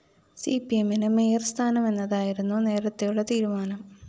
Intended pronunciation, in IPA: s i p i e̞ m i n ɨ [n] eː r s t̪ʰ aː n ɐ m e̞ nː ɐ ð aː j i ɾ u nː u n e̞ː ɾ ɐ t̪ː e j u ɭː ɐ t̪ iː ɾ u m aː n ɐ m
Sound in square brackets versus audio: incorrect: m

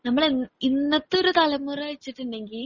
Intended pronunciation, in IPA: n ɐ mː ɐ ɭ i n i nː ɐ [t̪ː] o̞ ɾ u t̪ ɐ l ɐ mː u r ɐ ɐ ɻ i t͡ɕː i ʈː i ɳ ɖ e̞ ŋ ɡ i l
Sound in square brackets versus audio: correct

